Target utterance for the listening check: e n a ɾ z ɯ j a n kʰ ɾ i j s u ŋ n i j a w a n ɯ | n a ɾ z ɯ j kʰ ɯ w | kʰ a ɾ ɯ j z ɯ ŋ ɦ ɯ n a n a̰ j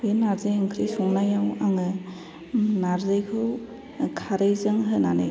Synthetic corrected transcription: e n a ɾ z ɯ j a ŋ kʰ ɾ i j s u ŋ n a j a w a ŋ ɯ | n a ɾ z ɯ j kʰ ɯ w | kʰ a ɾ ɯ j z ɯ ŋ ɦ ɯ n a n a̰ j